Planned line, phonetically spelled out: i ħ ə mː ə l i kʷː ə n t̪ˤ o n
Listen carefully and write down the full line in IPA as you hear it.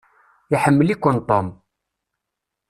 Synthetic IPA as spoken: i ħ ə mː ə l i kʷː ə n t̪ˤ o m

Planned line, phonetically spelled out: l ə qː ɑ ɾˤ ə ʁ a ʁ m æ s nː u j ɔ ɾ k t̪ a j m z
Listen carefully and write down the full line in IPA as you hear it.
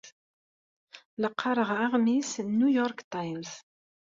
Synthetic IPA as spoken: l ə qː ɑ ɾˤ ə ʁ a ʁ m i s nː u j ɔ ɾ k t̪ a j m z

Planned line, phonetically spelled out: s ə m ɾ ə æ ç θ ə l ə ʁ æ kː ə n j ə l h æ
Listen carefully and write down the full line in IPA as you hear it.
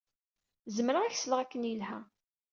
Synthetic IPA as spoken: z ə m ɾ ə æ ç s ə l ə ʁ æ kː ə n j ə l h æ

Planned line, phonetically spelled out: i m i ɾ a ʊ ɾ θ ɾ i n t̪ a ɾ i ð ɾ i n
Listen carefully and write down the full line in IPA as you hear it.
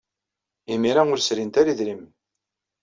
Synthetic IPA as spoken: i m i ɾ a ʊ ɾ s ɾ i n t̪ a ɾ i ð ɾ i m

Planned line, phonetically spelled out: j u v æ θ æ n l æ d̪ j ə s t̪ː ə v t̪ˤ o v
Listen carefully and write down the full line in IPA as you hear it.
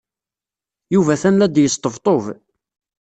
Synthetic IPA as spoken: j u v æ θ æ n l æ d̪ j ə s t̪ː ə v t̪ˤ o v

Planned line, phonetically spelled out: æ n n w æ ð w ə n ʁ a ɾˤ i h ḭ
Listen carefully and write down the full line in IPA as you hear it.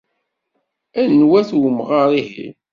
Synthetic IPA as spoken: æ n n w æ θ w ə m ʁ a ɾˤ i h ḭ

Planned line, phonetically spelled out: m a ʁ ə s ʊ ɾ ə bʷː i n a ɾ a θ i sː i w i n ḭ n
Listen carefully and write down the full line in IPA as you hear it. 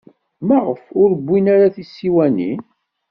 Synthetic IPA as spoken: m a ʁ ə f ʊ ɾ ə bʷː i n a ɾ a θ i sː i w æ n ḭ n

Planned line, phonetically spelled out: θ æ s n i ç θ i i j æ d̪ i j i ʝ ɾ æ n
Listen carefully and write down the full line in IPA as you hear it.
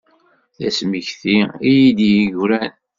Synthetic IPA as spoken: θ æ s m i ç θ i i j i d̪ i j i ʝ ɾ æ n

